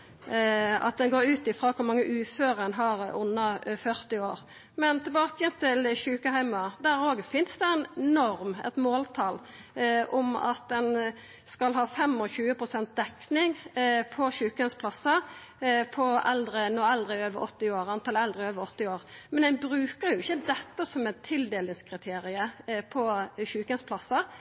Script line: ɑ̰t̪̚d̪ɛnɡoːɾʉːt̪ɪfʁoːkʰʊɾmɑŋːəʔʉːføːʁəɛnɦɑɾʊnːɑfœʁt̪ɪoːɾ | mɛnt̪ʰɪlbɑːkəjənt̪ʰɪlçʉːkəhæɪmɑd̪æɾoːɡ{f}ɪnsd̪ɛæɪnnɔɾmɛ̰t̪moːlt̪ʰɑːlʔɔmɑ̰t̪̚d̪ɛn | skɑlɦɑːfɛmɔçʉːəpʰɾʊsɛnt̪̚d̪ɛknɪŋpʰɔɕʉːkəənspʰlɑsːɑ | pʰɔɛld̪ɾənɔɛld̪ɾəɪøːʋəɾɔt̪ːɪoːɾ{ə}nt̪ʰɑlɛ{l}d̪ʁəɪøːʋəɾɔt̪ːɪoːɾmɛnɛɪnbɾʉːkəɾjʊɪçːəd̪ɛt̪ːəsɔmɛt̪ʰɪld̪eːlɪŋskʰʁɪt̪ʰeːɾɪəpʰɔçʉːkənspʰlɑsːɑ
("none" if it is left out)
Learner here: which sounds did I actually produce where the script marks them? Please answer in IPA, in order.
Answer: f, ɑ, l

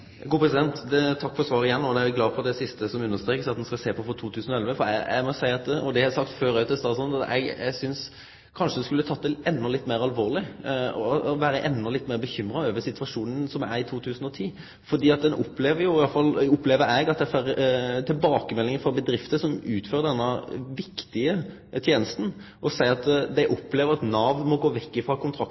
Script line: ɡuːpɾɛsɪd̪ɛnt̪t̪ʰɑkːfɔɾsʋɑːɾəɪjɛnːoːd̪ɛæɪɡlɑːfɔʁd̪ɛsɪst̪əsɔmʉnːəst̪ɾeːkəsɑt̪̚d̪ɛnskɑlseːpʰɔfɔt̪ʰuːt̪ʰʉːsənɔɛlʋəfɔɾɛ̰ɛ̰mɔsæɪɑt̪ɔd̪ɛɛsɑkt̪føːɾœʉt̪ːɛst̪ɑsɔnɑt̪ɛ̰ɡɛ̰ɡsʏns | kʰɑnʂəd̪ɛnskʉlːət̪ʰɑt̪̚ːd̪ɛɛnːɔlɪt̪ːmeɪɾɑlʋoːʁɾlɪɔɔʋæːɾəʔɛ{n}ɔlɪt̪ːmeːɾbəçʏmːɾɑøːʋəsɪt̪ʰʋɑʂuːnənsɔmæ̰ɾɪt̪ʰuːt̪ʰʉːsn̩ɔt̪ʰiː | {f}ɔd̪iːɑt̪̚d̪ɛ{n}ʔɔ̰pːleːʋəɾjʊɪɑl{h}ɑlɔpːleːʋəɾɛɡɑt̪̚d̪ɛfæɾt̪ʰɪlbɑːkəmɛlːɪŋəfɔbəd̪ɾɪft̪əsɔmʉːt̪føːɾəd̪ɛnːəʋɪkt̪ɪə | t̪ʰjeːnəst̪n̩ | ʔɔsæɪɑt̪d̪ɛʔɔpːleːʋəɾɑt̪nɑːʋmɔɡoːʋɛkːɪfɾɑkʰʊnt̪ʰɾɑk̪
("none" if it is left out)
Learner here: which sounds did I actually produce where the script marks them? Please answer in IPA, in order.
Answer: nː, f, n, f

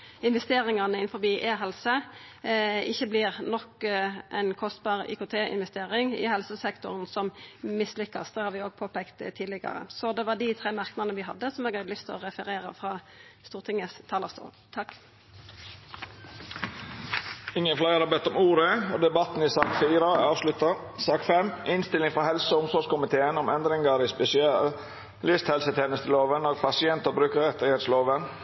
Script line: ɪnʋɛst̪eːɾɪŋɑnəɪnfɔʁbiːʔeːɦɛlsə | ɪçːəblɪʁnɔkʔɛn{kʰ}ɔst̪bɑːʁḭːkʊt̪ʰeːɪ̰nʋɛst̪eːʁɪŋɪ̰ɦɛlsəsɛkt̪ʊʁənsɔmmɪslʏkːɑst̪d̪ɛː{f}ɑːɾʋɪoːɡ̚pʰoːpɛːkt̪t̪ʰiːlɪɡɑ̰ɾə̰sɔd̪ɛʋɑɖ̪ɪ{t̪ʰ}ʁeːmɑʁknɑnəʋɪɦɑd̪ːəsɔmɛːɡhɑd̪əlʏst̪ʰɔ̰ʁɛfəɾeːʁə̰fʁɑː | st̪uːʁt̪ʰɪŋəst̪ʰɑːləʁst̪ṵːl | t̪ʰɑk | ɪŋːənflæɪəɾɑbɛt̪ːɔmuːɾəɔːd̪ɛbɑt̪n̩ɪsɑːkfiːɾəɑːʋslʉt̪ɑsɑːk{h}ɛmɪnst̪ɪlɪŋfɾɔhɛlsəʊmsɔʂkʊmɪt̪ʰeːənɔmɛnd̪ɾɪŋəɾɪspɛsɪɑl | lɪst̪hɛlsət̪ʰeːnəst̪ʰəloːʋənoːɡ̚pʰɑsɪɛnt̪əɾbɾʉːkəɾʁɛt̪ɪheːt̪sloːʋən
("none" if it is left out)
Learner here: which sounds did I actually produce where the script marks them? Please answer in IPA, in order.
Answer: kʰ, h, t̪ʰ, f

